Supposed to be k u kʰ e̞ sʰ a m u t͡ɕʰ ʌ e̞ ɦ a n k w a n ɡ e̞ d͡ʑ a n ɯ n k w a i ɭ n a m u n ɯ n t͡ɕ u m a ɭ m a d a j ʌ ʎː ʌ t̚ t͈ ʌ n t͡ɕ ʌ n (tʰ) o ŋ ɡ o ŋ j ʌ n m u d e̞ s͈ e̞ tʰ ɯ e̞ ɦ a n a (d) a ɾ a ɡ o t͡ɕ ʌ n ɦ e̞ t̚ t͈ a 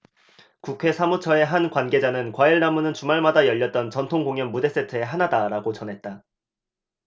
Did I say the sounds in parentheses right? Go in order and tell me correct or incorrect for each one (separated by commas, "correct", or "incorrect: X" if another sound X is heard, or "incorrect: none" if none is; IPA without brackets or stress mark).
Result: correct, correct